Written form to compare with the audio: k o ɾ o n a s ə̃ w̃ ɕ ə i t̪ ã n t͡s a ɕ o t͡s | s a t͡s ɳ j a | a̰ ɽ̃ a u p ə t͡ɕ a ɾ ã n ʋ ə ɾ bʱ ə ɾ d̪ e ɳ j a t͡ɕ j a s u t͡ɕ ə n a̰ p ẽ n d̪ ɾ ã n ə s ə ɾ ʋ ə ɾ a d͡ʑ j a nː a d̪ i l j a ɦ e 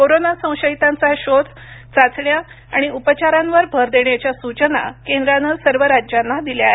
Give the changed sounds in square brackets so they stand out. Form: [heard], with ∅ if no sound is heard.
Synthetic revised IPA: k o ɾ o n a s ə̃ w̃ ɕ ə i t̪ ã n t͡s a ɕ o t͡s | [t͡s] a t͡s ɳ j a | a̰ ɽ̃ [i] u p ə t͡ɕ a ɾ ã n ʋ ə ɾ bʱ ə ɾ d̪ e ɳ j a t͡ɕ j a s u t͡ɕ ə n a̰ [k] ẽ n d̪ ɾ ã n ə s ə ɾ ʋ ə ɾ a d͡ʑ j a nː a d̪ i l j a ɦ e